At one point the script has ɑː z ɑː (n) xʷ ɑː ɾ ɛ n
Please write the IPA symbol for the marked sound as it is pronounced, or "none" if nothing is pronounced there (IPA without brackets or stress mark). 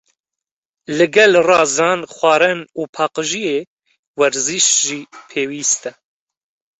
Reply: n